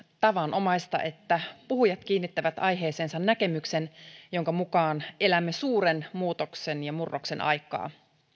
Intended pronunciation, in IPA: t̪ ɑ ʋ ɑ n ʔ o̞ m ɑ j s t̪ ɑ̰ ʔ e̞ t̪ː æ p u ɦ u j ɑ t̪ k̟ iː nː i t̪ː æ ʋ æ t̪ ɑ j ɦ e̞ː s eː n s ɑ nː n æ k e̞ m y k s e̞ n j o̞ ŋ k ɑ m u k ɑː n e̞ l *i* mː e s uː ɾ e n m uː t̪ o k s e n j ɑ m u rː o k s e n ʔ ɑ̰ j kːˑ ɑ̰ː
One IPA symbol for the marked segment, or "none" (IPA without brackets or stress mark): æ